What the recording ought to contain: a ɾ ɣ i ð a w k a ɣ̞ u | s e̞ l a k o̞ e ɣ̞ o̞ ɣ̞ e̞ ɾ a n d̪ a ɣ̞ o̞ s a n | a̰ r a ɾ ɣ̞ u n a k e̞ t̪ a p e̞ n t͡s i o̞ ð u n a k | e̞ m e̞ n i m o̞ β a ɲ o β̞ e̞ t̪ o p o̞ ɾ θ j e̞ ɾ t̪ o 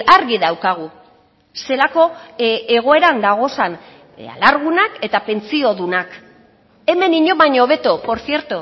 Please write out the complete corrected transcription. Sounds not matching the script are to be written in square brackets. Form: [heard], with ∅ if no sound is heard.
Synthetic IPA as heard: a ɾ ɣ i ð a w k a ɣ̞ u | s e̞ l a k o̞ e ɣ̞ o̞ [∅] e̞ ɾ a n d̪ a ɣ̞ o̞ s a n | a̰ [l] a ɾ ɣ̞ u n a k e̞ t̪ a p e̞ n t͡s i o̞ ð u n a k | e̞ m e̞ n i [ɲ] o̞ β a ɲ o β̞ e̞ t̪ o p o̞ ɾ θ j e̞ ɾ t̪ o

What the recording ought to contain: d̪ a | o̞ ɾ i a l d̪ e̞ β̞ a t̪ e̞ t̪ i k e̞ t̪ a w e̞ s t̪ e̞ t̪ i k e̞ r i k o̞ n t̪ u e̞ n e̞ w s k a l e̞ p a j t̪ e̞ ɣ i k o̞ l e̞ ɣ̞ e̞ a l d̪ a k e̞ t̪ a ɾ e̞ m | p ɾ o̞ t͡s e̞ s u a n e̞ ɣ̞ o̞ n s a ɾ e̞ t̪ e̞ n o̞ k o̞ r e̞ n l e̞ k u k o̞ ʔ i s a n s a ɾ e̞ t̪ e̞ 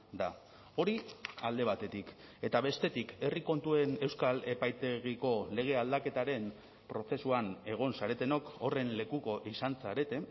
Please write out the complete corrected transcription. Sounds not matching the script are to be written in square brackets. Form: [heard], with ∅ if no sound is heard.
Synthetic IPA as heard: d̪ a | o̞ ɾ i a l d̪ e̞ β̞ a t̪ e̞ t̪ i k e̞ t̪ a [β] e̞ s t̪ e̞ t̪ i k e̞ r i k o̞ n t̪ u e̞ n e̞ w s k a l e̞ p a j t̪ e̞ ɣ i k o̞ l e̞ ɣ̞ e̞ a l d̪ a k e̞ t̪ a ɾ e̞ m | p ɾ o̞ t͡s e̞ s u a n e̞ ɣ̞ o̞ n s a ɾ e̞ t̪ e̞ n o̞ k o̞ r e̞ n l e̞ k u k o̞ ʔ i s a n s a ɾ e̞ t̪ e̞

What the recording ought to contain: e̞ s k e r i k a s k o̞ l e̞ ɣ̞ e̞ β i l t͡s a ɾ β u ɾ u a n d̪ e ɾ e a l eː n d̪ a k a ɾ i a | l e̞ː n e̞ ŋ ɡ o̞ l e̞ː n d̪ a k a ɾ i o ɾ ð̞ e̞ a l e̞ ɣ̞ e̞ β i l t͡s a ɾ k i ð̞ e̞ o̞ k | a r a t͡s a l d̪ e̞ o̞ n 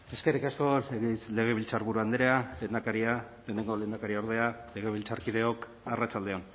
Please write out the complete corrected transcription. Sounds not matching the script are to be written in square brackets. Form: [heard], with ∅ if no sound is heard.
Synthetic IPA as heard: e̞ s k e r i k a s k o̞ l e̞ ɣ̞ e̞ β i l t͡s a ɾ β u ɾ u a n d̪ e ɾ e a l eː n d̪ a k a ɾ i a | l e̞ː n e̞ ŋ ɡ o̞ l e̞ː n d̪ a k a ɾ i o ɾ ð̞ e̞ a l e̞ ɣ̞ e̞ β i l t͡s a ɾ k i ð̞ e̞ o̞ k | a r a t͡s a l d̪ e̞ o̞ n

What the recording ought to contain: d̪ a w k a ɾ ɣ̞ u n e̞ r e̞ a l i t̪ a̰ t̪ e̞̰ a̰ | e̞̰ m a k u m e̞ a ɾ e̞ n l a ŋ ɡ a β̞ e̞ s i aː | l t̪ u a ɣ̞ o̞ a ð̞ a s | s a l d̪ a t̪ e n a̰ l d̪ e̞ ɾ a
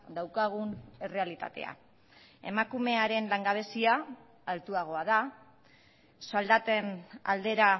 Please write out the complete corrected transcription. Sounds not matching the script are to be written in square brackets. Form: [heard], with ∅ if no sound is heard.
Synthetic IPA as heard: d̪ a w k a [∅] ɣ̞ u n e̞ r e̞ a l i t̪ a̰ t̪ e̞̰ a̰ | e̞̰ m a k u m e̞ a ɾ e̞ n l a ŋ ɡ a β̞ e̞ s i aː | l t̪ u a ɣ̞ o̞ a ð̞ a [∅] | s a l d̪ a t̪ e n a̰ l d̪ e̞ ɾ a

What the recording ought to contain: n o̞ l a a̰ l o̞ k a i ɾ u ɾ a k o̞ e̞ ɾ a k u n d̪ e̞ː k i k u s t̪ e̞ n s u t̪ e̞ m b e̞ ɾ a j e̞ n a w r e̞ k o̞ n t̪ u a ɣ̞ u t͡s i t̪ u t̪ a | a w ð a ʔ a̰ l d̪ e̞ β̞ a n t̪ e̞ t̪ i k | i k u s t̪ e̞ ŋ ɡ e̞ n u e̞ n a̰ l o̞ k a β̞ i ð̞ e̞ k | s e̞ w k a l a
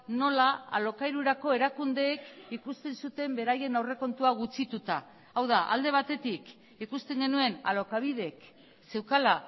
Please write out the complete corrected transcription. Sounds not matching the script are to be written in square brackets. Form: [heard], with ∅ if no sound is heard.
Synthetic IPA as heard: n o̞ l a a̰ l o̞ k a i ɾ u ɾ a k o̞ e̞ ɾ a k u n d̪ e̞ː k i k u s t̪ e̞ n s u t̪ e̞ m b e̞ ɾ a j e̞ n a w r e̞ k o̞ n t̪ u a ɣ̞ u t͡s i t̪ u t̪ a | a w ð a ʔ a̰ l d̪ e̞ β̞ a [∅] t̪ e̞ t̪ i k | i k u s t̪ e̞ ŋ ɡ e̞ n u e̞ n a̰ l o̞ k a β̞ i ð̞ e̞ k | s e̞ w k a l a

